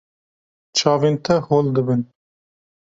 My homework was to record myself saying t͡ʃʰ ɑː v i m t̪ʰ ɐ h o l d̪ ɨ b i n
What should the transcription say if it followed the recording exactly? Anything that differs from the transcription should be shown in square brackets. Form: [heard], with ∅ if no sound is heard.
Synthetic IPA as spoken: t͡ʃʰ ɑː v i [n] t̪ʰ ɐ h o l d̪ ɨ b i n